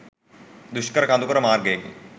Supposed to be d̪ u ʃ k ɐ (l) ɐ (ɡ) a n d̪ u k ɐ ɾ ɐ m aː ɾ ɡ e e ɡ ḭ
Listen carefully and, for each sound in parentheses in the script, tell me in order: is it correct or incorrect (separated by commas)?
incorrect, incorrect